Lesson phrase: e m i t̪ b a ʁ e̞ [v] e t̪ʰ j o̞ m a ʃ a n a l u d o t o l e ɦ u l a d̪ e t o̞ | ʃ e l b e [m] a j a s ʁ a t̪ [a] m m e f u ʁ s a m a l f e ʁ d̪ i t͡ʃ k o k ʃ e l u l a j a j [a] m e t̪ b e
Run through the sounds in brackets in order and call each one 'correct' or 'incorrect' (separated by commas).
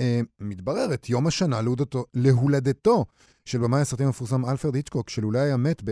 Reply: incorrect, correct, incorrect, correct